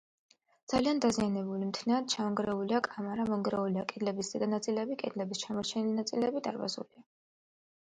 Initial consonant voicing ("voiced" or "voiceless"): voiced